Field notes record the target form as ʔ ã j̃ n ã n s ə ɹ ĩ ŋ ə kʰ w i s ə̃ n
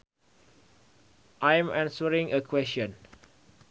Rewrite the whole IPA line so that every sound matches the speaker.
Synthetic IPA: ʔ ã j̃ m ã n s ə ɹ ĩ ŋ ə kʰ w ɛ s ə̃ n